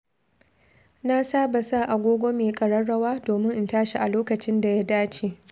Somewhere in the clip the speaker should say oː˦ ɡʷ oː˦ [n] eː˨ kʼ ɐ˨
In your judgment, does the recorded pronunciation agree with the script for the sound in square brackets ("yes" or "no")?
no